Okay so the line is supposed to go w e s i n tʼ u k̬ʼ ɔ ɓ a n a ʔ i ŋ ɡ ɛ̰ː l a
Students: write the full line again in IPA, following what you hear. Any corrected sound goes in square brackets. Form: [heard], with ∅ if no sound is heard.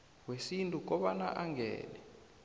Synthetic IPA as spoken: w e s i n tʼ u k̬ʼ ɔ ɓ a n a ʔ [a] ŋ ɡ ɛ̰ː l [ɛ]

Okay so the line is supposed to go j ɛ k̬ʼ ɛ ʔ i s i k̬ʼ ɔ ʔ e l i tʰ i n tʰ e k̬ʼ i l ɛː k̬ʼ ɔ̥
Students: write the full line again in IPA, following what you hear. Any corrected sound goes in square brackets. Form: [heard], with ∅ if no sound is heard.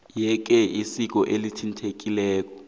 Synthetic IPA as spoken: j ɛ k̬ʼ ɛ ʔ i s i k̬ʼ ɔ ʔ e l i tʰ i n tʰ e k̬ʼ i l ɛː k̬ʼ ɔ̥

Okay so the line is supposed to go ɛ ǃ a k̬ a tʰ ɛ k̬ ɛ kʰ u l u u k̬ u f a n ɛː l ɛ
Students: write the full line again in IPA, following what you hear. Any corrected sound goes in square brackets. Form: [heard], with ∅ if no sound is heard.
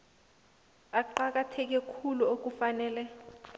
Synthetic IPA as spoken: [a] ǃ a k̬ a tʰ ɛ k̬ ɛ kʰ u l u [o] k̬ u f a n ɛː l ɛ

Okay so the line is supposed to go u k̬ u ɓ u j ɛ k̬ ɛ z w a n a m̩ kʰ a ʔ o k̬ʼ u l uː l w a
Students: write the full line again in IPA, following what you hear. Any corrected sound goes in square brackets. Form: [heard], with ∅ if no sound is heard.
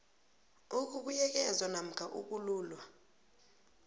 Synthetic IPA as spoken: u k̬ u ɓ u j ɛ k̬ ɛ z w a n a m̩ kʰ a ʔ [u] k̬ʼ u l uː l w a

